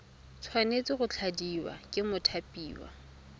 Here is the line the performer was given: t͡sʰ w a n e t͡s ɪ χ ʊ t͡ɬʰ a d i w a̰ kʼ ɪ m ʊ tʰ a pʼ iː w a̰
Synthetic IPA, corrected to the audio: t͡sʰ w a n e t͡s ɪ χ ʊ t͡ɬʰ a d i w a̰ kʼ ɪ m ʊ tʰ a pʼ iː w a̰